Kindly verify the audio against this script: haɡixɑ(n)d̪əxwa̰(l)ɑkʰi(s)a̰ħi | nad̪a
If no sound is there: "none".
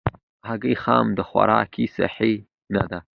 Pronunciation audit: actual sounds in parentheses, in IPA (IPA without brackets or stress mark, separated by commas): m, ɾ, s